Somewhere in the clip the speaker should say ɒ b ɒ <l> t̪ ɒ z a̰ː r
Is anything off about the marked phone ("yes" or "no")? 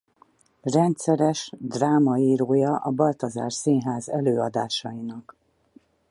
no